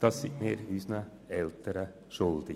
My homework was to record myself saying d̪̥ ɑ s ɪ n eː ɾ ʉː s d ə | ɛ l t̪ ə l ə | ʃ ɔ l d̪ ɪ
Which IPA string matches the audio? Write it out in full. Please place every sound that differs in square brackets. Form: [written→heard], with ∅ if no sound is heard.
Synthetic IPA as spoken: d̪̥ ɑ s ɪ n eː ɾ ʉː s [d→n] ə | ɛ l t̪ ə [l→ɾ] ə | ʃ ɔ l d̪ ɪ